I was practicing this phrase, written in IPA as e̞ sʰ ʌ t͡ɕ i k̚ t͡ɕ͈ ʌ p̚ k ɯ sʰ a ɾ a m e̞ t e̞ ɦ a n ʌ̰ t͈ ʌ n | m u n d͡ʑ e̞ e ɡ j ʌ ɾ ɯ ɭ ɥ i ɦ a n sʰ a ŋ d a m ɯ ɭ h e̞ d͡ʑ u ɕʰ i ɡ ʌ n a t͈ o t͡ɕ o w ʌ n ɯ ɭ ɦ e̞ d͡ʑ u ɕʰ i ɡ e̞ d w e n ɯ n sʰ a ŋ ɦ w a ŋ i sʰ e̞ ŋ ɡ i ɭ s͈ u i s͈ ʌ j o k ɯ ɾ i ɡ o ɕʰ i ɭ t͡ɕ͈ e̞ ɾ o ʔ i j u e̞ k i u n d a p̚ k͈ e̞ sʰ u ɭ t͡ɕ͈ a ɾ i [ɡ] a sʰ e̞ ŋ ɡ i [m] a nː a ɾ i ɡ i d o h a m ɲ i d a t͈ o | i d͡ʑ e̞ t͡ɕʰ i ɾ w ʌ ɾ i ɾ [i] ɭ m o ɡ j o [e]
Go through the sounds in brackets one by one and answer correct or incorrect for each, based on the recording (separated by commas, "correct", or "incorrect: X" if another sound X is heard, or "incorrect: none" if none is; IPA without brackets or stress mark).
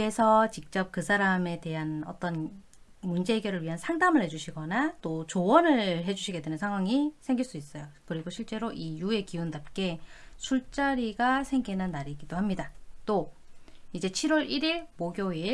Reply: correct, incorrect: n, correct, incorrect: i